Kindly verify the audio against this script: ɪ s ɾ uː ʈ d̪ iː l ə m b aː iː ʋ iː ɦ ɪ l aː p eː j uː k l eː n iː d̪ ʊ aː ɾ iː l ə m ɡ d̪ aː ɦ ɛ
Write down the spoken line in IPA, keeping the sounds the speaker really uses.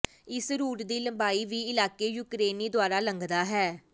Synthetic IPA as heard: ɪ s ɾ uː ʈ d̪ iː l ə m b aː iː ʋ iː ɪ l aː k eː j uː k ɾ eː n iː d̪ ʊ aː ɾ aː l ə ŋ ɡ d̪ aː ɦ ɛː